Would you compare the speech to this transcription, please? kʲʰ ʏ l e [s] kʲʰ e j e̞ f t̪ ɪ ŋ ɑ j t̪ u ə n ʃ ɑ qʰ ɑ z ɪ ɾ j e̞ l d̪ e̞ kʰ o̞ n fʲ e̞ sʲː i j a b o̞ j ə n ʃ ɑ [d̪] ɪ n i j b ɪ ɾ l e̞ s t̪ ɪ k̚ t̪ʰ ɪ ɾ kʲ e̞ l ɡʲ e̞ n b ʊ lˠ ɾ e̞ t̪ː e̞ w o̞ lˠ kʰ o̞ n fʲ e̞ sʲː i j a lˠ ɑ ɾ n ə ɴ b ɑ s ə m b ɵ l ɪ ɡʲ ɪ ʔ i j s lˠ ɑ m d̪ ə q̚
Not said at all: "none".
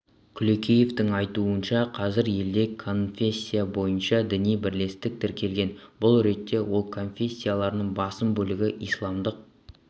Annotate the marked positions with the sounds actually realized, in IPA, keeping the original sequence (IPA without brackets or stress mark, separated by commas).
none, d̪